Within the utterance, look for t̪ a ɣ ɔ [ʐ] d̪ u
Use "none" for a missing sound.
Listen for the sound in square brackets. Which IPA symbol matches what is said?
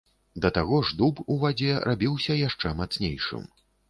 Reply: ʐ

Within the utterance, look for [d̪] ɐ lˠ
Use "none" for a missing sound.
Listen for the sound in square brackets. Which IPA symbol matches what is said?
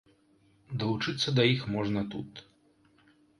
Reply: d̪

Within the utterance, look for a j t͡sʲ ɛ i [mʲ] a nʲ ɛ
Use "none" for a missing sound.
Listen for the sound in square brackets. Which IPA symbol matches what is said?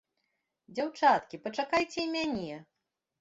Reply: mʲ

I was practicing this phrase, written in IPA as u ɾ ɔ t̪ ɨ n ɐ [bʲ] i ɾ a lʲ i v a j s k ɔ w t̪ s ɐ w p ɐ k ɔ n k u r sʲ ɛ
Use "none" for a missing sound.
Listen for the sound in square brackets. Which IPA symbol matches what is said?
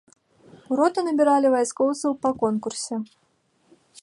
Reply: bʲ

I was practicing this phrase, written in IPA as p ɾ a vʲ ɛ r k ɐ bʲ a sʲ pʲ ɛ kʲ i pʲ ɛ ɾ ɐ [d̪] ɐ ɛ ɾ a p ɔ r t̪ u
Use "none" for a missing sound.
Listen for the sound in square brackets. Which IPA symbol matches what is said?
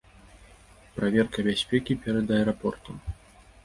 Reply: d̪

